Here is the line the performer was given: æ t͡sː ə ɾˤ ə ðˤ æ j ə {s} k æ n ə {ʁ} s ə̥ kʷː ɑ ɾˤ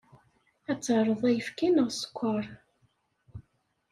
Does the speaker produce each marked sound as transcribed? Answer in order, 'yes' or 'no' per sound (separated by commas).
no, yes